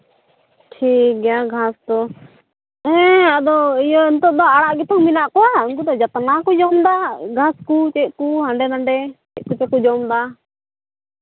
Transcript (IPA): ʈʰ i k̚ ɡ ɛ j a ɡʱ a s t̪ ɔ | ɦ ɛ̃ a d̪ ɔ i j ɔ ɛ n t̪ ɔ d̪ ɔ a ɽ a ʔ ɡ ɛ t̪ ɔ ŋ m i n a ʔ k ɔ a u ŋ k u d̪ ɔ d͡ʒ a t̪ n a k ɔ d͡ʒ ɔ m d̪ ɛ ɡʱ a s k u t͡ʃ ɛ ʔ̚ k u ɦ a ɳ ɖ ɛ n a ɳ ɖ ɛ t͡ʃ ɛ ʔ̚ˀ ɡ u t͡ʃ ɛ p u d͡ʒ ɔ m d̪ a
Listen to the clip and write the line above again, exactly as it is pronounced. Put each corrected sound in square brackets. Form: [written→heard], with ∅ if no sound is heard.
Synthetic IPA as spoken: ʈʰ i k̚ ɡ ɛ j a ɡʱ a s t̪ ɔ | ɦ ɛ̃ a d̪ ɔ i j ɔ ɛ n t̪ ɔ d̪ ɔ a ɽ a ʔ ɡ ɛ t̪ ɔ ŋ m i n a ʔ k ɔ a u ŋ k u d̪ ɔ d͡ʒ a t̪ n a k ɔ d͡ʒ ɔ m d̪ [ɛ→a] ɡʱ a s k u t͡ʃ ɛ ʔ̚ k u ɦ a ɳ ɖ ɛ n a ɳ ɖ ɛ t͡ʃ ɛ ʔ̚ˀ [ɡ→k] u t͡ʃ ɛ [p→k] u d͡ʒ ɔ m d̪ a